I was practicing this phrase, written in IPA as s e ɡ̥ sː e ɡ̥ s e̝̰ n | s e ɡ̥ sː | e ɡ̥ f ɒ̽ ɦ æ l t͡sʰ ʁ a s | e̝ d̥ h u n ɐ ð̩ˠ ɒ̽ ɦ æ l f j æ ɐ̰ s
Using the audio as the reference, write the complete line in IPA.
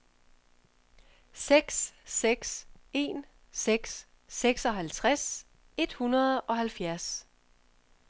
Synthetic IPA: s e ɡ̥ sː e ɡ̥ s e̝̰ n | s e ɡ̥ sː | e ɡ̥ s ɒ̽ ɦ æ l t͡sʰ ʁ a s | e̝ d̥ h u n ɐ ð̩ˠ ɒ̽ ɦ æ l f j æ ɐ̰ s

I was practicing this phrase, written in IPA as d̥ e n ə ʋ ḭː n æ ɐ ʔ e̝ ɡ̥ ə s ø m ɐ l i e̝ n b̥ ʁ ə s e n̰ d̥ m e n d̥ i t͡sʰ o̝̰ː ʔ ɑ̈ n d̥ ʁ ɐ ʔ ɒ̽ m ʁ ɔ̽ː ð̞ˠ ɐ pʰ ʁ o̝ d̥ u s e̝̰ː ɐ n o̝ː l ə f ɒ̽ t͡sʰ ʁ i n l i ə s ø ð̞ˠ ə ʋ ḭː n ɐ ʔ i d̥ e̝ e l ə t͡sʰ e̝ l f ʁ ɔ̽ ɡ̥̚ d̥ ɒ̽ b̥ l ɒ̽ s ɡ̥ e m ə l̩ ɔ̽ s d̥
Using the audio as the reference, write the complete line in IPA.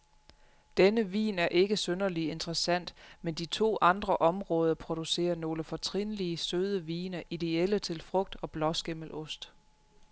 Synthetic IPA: d̥ e n ə ʋ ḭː n æ ɐ ʔ e̝ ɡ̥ ə s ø n ɐ l i e̝ n d̥ ʁ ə s æ n̰ d̥ m e n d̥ i t͡sʰ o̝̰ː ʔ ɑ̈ n d̥ ʁ ɐ ʔ ɒ̽ m ʁ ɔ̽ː ð̞ˠ ɐ pʰ ʁ o̝ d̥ u s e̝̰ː ɐ n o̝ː l ə f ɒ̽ t͡sʰ ʁ i n l i ə s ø ð̞ˠ ə ʋ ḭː n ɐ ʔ i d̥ e̝ e l ə t͡sʰ e̝ l f ʁ ɔ̽ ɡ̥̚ d̥ ɒ̽ b̥ l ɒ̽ s ɡ̥ e m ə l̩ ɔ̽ s d̥

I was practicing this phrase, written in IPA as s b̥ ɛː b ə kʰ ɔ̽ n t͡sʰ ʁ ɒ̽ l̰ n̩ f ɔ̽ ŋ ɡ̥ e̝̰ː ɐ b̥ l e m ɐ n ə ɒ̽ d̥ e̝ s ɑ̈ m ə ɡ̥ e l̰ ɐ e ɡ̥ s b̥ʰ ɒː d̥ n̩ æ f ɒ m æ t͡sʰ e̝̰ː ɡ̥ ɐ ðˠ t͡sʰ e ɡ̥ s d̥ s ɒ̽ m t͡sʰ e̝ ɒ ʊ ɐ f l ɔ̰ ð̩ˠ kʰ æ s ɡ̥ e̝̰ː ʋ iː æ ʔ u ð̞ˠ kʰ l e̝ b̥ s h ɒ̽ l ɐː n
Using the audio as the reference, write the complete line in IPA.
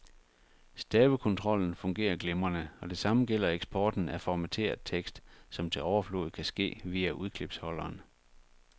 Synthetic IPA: s d̥ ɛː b ə kʰ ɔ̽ n t͡sʰ ʁ ɒ̽ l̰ n̩ f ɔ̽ ŋ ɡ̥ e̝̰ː ɐ ɡ̥ l e m ɐ n ə ɒ̽ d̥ e̝ s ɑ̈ m ə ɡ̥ e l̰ ɐ e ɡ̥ s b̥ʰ ɒː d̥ n̩ æ f ɒ m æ t͡sʰ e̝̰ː ɐ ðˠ t͡sʰ e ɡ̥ s d̥ s ɒ̽ m t͡sʰ e̝ ɒ ʊ ɐ f l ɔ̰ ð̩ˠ kʰ æ s ɡ̥ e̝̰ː ʋ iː æ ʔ u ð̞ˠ kʰ l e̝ b̥ s h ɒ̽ l ɐː n

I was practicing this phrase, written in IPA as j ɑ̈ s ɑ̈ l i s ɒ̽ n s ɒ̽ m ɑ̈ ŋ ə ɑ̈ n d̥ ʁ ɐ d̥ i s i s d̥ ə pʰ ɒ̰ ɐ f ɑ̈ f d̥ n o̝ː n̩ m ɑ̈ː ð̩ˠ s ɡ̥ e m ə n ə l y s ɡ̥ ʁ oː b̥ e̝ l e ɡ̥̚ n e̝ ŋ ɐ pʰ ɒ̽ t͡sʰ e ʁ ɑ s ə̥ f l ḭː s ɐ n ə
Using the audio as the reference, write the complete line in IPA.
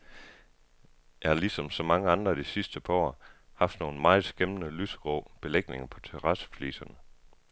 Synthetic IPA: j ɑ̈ h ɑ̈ l i s ɒ̽ m s ɒ̽ m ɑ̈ ŋ ə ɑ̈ n d̥ ʁ ɐ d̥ i s i s d̥ ə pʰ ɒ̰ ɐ h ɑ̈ f d̥ n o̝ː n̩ m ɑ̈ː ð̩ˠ s ɡ̥ e m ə n ə l y s ɡ̥ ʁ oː b̥ e̝ l e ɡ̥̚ n e̝ ŋ ɐ pʰ ɒ̽ t͡sʰ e ʁ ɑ s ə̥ f l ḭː s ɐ n ə

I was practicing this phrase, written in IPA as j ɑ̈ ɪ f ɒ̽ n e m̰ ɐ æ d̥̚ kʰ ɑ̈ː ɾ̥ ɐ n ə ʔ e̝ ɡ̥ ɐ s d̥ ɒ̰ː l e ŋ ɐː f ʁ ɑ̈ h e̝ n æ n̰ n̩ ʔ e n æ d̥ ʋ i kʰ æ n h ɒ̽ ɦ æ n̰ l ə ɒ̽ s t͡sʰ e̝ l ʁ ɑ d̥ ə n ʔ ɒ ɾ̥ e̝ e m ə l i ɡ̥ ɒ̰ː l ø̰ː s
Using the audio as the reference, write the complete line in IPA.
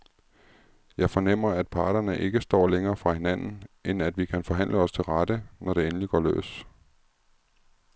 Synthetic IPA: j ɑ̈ ɪ f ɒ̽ n e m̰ ɐ æ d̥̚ pʰ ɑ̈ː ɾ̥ ɐ n ə ʔ e̝ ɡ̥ ə s d̥ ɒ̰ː l e ŋ ɐː f ʁ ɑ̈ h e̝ n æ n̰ n̩ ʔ e n æ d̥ ʋ i kʰ æ n f ɒ̽ ɦ æ n̰ l ə ɒ̽ s t͡sʰ e̝ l ʁ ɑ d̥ ə n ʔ ɒ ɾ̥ e̝ e n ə l i ɡ̥ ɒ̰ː l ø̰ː s

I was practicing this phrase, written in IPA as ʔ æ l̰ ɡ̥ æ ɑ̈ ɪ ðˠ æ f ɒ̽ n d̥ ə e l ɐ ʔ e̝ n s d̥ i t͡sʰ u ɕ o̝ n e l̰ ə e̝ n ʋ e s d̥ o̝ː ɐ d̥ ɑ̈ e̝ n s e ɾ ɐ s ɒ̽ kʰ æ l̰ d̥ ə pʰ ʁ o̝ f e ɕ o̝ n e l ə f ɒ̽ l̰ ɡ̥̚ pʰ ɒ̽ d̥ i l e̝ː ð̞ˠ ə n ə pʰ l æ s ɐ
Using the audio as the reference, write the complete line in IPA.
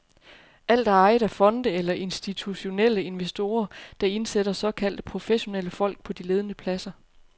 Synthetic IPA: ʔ æ l̰ d̥ æ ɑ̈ ɪ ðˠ æ f ɒ̽ n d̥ ə e l ɐ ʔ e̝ n s d̥ i t͡sʰ u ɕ o̝ n e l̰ ə e̝ n ʋ e s d̥ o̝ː ɐ d̥ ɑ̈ e̝ n s e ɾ ɐ s ɒ̽ kʰ æ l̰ d̥ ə pʰ ʁ o̝ f e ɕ o̝ n e l ə f ɒ̽ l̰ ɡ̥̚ pʰ ɒ̽ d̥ i l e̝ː ð̞ˠ ə n ə pʰ l æ s ɐ

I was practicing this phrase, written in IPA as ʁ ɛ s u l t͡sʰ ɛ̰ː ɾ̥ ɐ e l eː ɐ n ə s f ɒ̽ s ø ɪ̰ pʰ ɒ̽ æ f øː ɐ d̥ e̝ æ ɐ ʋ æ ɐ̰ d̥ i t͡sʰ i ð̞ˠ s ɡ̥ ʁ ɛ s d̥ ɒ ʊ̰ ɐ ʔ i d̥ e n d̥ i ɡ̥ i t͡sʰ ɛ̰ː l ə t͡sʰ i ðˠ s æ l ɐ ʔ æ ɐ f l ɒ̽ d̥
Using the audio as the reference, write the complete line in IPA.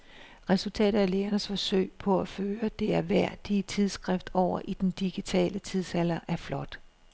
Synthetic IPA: ʁ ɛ s u l t͡sʰ ɛ̰ː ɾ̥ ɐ æ l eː ɐ n ə s f ɒ̽ s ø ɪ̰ pʰ ɒ̽ æ f øː ɐ d̥ e̝ æ ɐ ʋ æ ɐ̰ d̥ i t͡sʰ i ð̞ˠ s ɡ̥ ʁ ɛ f d̥ ɒ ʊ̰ ɐ ʔ i d̥ e n d̥ i ɡ̥ i t͡sʰ ɛ̰ː l ə t͡sʰ i ðˠ s æ l ɐ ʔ æ ɐ f l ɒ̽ d̥

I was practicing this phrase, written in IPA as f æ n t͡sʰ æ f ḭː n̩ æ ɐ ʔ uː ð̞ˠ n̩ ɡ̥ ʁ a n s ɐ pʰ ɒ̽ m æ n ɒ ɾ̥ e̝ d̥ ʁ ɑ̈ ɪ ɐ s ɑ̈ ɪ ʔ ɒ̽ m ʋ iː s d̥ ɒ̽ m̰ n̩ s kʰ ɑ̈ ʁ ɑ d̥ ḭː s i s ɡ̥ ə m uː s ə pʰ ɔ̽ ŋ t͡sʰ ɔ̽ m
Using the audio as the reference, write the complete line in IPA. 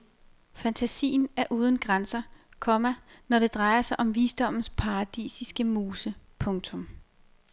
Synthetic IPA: f æ n t͡sʰ æ s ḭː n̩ æ ɐ ʔ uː ð̞ˠ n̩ ɡ̥ ʁ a n s ɐ kʰ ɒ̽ m æ n ɒ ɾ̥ e̝ d̥ ʁ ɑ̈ ɪ ɐ s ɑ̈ ɪ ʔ ɒ̽ m ʋ iː s d̥ ɒ̽ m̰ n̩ s pʰ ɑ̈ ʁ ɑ d̥ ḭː s i s ɡ̥ ə m uː s ə pʰ ɔ̽ ŋ t͡sʰ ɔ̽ m

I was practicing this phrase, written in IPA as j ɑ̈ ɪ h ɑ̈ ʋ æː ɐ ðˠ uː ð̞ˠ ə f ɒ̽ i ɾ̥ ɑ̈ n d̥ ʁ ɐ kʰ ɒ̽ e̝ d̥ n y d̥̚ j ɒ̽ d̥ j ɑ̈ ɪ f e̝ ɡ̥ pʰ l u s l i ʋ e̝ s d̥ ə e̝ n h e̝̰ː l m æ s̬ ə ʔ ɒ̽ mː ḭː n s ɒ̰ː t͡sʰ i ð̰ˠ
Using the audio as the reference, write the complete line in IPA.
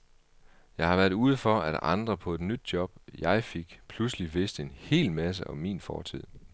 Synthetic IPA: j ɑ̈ ɪ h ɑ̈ ʋ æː ɐ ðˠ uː ð̞ˠ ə f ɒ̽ æ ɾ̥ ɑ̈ n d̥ ʁ ɐ pʰ ɒ̽ e̝ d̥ n y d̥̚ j ɒ̽ b̥ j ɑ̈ ɪ f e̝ ɡ̥ pʰ l u s l i ʋ e̝ s d̥ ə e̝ n h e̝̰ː l m æ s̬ ə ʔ ɒ̽ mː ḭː n f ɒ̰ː t͡sʰ i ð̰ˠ

